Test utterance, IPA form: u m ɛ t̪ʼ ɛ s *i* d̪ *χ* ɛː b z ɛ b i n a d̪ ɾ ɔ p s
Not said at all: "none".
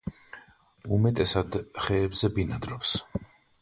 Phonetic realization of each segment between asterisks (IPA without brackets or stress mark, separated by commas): a, χ